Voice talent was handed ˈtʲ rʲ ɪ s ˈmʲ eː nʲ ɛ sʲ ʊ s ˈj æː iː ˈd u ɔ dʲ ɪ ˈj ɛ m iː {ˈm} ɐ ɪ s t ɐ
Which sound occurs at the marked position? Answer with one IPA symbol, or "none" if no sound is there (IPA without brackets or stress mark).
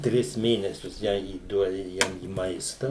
m